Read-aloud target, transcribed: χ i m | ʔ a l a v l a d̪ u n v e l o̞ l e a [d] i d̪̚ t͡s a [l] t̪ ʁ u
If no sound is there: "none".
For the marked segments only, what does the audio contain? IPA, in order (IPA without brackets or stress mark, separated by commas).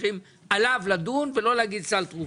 ɡ, l